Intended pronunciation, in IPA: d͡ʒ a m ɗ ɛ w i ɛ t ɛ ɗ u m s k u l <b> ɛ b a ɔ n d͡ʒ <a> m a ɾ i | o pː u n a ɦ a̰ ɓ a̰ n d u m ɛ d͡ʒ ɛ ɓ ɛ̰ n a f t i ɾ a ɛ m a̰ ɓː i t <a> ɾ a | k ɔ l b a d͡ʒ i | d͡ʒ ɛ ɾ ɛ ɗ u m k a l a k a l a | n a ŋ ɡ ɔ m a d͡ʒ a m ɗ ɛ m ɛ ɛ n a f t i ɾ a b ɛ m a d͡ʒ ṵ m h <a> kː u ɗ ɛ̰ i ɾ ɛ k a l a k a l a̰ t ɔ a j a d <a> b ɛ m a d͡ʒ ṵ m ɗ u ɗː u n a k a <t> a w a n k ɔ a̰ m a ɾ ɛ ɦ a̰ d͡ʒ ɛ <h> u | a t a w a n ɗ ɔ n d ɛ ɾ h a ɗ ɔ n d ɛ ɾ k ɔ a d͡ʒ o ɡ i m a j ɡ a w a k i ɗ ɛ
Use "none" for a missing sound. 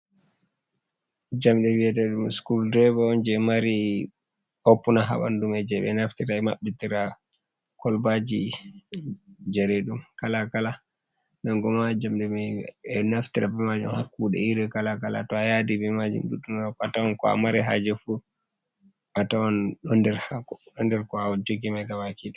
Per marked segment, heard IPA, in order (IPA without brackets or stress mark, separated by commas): d, ɛ, i, a, i, t, f